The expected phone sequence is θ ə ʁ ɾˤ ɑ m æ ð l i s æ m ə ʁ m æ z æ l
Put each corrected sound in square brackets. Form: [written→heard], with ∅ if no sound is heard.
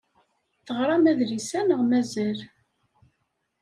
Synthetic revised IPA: θ ə ʁ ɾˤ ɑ m æ ð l i s æ [m→n] ə ʁ m æ z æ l